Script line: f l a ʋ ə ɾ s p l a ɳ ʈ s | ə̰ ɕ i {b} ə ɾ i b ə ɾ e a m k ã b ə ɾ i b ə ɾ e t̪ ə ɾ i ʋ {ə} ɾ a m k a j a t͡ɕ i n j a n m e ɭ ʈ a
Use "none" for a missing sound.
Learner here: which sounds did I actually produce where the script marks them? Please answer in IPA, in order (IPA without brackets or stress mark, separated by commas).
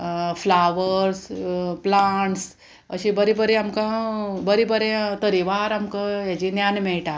b, a